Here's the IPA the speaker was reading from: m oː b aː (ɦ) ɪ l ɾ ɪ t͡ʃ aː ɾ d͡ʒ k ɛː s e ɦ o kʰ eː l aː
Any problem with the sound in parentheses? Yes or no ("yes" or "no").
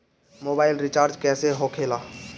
yes